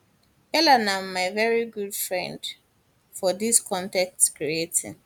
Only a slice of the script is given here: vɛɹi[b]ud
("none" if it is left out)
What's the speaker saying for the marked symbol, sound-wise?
ɡ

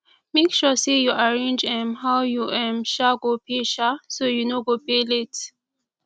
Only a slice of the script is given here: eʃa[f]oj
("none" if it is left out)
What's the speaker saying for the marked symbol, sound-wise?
s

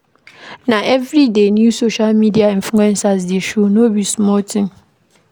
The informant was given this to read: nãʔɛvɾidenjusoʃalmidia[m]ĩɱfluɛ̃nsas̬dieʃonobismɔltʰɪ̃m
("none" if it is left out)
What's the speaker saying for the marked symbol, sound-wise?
none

